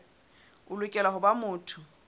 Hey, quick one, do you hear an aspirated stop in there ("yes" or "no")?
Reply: yes